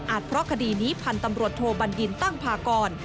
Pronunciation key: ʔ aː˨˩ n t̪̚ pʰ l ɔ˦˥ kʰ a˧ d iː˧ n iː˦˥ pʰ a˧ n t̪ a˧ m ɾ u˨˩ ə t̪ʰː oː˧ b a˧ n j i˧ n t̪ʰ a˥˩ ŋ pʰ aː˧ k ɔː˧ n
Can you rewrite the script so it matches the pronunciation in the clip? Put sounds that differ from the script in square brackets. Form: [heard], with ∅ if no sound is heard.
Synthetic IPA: ʔ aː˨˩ [∅] t̪̚ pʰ [ɾ] ɔ˦˥ kʰ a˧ d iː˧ n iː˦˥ pʰ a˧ n t̪ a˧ m ɾ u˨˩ ə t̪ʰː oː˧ b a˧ n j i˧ n [t̪] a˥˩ ŋ pʰ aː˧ k ɔː˧ n